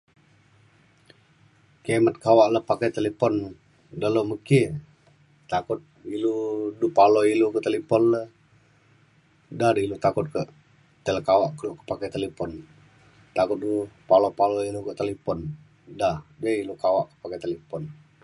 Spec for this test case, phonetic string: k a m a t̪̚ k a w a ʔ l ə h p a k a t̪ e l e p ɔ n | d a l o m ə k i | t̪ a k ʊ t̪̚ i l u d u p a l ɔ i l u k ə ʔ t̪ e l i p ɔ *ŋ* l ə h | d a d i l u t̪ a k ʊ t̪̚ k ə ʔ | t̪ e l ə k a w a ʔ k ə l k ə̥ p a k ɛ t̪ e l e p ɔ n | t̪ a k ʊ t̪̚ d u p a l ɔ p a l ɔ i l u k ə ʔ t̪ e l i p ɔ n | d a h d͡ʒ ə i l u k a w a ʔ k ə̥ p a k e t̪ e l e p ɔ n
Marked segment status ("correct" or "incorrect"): incorrect